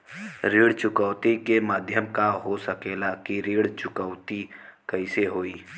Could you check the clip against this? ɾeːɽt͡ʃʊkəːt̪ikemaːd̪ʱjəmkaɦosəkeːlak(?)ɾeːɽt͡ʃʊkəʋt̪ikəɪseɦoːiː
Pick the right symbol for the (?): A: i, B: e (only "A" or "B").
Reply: A